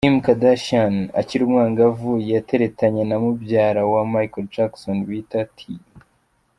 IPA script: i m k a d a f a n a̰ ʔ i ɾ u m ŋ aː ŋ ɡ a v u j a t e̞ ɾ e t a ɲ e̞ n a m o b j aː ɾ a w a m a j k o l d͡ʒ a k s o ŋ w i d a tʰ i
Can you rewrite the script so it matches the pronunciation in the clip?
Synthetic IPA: i m k a d a ʃ a n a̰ c i ɾ u m ŋ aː ŋ ɡ a v u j a t e̞ ɾ e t a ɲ e̞ n a m u b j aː ɾ a w a m a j k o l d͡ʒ a k s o n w i t a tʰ i